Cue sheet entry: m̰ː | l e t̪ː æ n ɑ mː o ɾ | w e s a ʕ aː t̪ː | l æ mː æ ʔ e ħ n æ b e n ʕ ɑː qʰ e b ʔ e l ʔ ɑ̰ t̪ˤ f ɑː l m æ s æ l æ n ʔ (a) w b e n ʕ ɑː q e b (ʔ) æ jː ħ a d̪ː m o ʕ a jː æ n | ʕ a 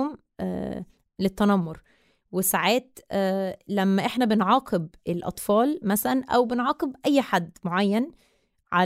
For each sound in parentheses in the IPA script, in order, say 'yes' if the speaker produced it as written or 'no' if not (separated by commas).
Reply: no, yes